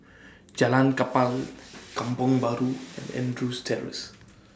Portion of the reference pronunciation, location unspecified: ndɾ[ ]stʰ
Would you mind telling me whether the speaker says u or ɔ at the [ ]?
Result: u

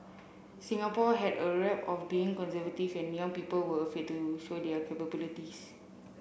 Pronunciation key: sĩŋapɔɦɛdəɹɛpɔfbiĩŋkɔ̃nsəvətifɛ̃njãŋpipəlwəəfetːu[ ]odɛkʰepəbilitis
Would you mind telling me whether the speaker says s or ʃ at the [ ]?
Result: ʃ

